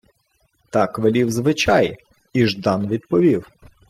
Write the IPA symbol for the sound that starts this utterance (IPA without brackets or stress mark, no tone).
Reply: t̪